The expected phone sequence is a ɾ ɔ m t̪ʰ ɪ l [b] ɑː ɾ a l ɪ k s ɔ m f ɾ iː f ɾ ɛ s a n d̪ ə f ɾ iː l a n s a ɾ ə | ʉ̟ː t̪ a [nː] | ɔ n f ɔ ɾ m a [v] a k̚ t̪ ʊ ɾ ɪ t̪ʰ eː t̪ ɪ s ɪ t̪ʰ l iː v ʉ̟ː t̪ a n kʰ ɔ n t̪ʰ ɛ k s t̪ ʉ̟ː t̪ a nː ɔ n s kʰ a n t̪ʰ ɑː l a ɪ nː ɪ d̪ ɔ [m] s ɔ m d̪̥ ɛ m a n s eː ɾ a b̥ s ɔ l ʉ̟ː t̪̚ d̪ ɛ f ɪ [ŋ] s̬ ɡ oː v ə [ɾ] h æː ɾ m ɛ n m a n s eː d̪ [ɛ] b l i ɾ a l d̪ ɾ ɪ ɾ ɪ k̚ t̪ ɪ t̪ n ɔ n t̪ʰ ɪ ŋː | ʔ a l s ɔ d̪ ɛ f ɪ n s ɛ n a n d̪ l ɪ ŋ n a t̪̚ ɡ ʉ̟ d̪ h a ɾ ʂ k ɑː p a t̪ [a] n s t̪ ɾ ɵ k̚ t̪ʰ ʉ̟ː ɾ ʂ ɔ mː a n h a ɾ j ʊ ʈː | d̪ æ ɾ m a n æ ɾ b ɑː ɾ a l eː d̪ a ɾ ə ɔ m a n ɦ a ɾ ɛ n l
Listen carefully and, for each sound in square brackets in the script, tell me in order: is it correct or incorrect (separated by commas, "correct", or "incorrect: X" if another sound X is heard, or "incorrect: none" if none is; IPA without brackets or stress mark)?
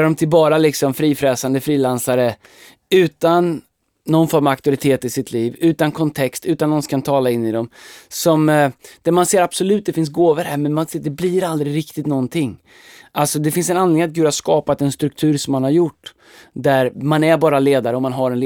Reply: correct, correct, correct, correct, incorrect: n, correct, correct, incorrect: ɛ